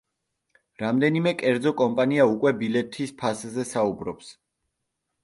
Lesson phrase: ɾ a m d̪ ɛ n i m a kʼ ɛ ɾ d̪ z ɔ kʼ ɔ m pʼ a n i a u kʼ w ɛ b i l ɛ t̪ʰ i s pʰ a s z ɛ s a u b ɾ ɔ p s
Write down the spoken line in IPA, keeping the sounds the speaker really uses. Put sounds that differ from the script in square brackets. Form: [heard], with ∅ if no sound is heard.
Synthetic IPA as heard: ɾ a m d̪ ɛ n i m [ɛ] kʼ ɛ ɾ d̪ z ɔ kʼ ɔ m pʼ a n i a u kʼ w ɛ b i l ɛ t̪ʰ i s pʰ a s z ɛ s a u b ɾ ɔ p s

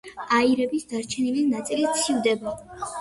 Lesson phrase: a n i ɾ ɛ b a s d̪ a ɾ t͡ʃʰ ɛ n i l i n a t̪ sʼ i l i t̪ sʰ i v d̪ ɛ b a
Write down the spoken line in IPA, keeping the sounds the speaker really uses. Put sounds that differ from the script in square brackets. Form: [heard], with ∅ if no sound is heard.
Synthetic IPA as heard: a [∅] i ɾ ɛ b [i] s d̪ a ɾ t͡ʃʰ ɛ n i l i n a t̪ sʼ i l i t̪ sʰ i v d̪ ɛ b a

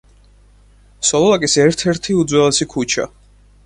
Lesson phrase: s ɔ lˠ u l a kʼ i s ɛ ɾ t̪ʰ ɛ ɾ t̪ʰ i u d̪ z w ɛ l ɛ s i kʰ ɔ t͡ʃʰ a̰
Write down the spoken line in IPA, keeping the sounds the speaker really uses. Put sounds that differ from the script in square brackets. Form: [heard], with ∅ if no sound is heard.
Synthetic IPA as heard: s ɔ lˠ [ɔ] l a kʼ i s ɛ ɾ t̪ʰ ɛ ɾ t̪ʰ i u d̪ z w ɛ l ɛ s i kʰ [u] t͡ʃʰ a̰

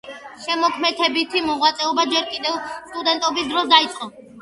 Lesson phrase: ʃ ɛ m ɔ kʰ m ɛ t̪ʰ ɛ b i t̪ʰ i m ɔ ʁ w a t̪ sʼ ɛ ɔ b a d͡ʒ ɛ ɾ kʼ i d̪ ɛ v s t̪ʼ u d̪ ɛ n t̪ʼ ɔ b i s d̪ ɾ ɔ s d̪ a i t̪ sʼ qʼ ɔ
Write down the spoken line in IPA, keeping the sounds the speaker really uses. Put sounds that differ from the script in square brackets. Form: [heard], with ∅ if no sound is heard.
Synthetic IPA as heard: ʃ ɛ m ɔ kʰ m ɛ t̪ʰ ɛ b i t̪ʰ i m ɔ ʁ w a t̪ sʼ ɛ ɔ b a d͡ʒ ɛ ɾ kʼ i d̪ ɛ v s t̪ʼ u d̪ ɛ n t̪ʼ ɔ b i s d̪ ɾ ɔ s d̪ a i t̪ sʼ qʼ ɔ

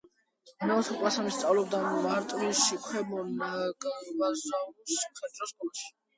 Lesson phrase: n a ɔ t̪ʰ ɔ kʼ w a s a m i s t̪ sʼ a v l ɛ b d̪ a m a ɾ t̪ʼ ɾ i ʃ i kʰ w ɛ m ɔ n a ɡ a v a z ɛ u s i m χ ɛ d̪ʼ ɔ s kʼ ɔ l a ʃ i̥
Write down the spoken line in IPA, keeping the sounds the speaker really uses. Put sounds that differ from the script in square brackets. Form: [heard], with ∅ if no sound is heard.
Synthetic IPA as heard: n a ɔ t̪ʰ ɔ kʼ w a s a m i s t̪ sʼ a v l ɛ b d̪ a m a ɾ t̪ʼ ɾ i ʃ i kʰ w ɛ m ɔ n a ɡ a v a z [a] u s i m χ ɛ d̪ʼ ɔ s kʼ ɔ l a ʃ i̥

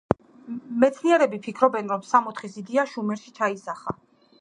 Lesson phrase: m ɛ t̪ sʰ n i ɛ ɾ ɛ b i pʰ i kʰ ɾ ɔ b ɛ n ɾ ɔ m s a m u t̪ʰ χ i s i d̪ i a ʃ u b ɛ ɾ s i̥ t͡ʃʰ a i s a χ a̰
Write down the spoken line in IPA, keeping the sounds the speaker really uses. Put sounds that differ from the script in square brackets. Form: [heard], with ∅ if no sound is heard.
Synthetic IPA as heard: m ɛ t̪ sʰ n i ɛ ɾ ɛ b i pʰ i kʰ ɾ ɔ b ɛ n ɾ ɔ m s a m [ɔ] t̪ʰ χ i s i d̪ i a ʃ u [m] ɛ ɾ [ʃ] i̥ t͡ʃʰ a i s a χ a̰

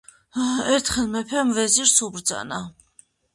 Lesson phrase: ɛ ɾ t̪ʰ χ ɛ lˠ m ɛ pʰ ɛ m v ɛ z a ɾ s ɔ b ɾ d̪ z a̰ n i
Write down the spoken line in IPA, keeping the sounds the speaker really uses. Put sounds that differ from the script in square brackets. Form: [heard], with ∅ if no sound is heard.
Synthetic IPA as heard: ɛ ɾ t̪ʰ χ ɛ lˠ m ɛ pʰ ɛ m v ɛ z [i] ɾ s [u] b ɾ d̪ z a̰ n [a]

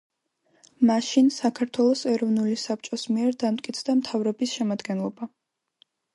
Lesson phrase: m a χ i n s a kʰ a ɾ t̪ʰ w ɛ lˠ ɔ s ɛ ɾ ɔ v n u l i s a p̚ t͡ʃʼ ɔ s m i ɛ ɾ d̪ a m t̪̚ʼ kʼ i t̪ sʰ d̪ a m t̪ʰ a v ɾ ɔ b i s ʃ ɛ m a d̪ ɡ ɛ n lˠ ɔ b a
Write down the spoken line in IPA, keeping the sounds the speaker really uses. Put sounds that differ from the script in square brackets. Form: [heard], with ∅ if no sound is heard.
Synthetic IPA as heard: m a [ʃ] i n s a kʰ a ɾ t̪ʰ w ɛ lˠ ɔ s ɛ ɾ ɔ v n u l i s a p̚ t͡ʃʼ ɔ s m i ɛ ɾ d̪ a m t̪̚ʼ kʼ i t̪ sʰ d̪ a m t̪ʰ a v ɾ ɔ b i s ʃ ɛ m a d̪ ɡ ɛ n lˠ ɔ b a

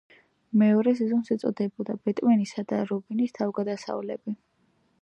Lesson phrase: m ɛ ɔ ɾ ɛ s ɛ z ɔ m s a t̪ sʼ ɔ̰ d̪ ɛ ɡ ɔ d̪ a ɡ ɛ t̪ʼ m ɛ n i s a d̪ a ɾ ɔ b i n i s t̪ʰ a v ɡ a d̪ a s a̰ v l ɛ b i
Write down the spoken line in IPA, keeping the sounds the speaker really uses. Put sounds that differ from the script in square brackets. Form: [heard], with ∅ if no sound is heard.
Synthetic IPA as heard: m ɛ ɔ ɾ ɛ s ɛ z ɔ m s [ɛ] t̪ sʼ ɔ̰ d̪ ɛ [b] ɔ d̪ a [b] ɛ t̪ʼ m ɛ n i s a d̪ a ɾ ɔ b i n i s t̪ʰ a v ɡ a d̪ a s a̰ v l ɛ b i

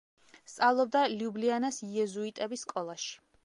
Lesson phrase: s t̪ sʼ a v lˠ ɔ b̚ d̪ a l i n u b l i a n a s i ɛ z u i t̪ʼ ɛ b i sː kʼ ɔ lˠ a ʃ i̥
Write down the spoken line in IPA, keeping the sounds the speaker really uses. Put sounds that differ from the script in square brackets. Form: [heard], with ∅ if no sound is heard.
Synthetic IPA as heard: s t̪ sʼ a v lˠ ɔ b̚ d̪ a l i [∅] u b l i a n a s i ɛ z u i t̪ʼ ɛ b i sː kʼ ɔ lˠ a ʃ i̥

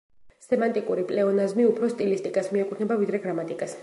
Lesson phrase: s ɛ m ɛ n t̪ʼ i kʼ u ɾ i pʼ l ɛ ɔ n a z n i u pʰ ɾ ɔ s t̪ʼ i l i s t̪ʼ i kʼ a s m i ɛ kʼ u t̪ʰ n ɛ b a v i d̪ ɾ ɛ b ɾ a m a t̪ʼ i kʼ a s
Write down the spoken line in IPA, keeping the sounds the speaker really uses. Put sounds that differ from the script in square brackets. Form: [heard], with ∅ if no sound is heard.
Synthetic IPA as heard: s ɛ m [a] n t̪ʼ i kʼ u ɾ i pʼ l ɛ ɔ n a z [m] i u pʰ ɾ ɔ s t̪ʼ i l i s t̪ʼ i kʼ a s m i ɛ kʼ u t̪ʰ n ɛ b a v i d̪ ɾ ɛ [ɡ] ɾ a m a t̪ʼ i kʼ a s

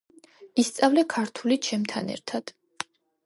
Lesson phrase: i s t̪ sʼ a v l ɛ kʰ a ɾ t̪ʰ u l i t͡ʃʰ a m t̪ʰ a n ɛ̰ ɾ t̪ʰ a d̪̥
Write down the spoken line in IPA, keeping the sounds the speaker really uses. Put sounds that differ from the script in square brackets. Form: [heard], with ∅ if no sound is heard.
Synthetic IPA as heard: i s t̪ sʼ a v l ɛ kʰ a ɾ t̪ʰ u l i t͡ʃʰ [ɛ] m t̪ʰ a n ɛ̰ ɾ t̪ʰ a d̪̥

